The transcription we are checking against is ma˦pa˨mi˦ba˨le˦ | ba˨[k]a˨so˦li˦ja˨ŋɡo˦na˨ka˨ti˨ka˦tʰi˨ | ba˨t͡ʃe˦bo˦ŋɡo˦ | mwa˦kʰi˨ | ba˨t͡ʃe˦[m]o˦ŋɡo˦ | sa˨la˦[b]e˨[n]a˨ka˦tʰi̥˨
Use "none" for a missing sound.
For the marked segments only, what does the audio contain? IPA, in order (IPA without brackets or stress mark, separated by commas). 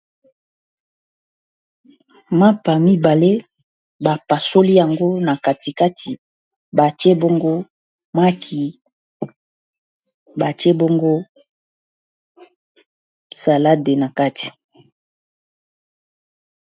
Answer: p, b, d, n